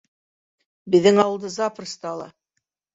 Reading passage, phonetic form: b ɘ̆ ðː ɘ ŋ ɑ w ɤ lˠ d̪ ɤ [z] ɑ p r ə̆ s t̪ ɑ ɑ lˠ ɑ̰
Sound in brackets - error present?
no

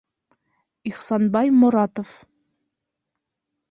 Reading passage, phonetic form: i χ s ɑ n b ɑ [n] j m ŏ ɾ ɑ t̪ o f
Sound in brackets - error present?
yes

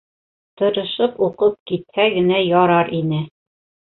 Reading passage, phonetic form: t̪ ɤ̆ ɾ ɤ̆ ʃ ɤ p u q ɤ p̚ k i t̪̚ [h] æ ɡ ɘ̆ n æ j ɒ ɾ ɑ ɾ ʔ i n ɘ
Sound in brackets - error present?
no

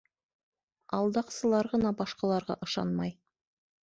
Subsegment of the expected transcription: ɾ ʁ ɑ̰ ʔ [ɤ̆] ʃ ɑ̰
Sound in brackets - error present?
no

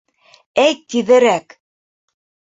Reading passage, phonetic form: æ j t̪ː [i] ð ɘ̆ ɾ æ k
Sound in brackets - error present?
no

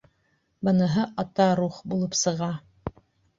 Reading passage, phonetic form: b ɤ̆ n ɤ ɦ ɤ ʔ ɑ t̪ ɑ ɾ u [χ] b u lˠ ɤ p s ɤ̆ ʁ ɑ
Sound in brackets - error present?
no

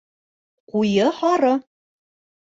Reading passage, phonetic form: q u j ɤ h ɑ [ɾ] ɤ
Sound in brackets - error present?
no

